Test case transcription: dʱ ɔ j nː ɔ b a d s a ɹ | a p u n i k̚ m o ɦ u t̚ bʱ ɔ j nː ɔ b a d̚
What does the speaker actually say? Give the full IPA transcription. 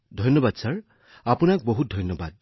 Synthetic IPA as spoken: dʱ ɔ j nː ɔ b a d s a ɹ | a p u n a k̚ b o ɦ u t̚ dʱ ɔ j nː ɔ b a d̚